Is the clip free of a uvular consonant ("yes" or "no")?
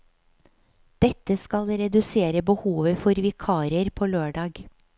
yes